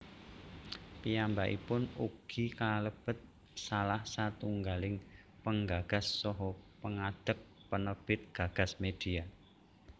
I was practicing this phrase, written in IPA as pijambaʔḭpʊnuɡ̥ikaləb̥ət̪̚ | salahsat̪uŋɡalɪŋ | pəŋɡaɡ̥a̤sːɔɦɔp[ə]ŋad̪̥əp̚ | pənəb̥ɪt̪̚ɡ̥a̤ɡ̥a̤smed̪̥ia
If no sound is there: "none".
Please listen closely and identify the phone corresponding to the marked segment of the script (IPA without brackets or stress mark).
ə